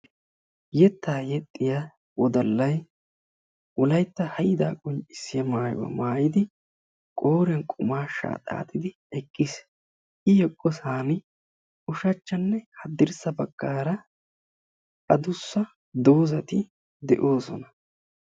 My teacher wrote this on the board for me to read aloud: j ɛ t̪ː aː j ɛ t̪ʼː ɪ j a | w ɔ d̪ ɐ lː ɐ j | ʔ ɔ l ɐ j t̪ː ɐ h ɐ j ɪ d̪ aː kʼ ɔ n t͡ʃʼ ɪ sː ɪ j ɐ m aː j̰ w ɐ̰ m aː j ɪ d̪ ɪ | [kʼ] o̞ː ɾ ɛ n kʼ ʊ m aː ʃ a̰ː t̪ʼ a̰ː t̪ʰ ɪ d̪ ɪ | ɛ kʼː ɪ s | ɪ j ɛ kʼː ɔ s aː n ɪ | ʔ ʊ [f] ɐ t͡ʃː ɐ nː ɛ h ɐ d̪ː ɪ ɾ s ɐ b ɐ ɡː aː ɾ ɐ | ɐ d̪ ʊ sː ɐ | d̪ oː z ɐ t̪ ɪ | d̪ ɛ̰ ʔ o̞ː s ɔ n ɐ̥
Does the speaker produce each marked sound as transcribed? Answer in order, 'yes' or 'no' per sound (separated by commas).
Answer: yes, no